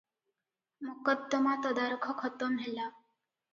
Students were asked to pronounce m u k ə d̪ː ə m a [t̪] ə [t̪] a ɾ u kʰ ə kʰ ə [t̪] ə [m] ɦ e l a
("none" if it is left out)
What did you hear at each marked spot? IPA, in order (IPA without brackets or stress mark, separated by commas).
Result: t̪, d̪, t̪, m